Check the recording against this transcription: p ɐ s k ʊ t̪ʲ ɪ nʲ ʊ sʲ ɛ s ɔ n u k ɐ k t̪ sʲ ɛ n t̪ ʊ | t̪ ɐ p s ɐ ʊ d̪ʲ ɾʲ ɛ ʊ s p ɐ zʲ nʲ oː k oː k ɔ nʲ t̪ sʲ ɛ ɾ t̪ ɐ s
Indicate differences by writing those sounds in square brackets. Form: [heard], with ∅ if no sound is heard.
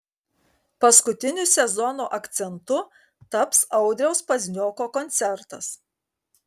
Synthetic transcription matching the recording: p ɐ s k ʊ t̪ʲ ɪ nʲ ʊ sʲ ɛ [z] ɔ n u [ʔ] ɐ k t̪ sʲ ɛ n t̪ ʊ | t̪ ɐ p s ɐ ʊ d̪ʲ ɾʲ ɛ ʊ s p ɐ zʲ nʲ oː k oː k ɔ nʲ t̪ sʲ ɛ ɾ t̪ ɐ s